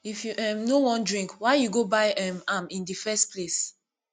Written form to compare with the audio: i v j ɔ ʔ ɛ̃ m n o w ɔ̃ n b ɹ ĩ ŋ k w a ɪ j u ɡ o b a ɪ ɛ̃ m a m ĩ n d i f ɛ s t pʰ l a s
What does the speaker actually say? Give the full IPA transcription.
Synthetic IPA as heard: i f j u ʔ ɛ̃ m n o w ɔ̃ n d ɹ ĩ ŋ k w a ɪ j u ɡ o b a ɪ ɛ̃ m a m ĩ n d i f ɛ s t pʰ l e s